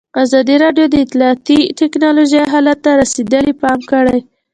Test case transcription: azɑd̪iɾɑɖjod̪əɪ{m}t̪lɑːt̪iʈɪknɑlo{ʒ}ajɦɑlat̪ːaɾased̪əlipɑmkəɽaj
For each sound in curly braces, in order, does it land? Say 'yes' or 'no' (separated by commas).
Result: no, yes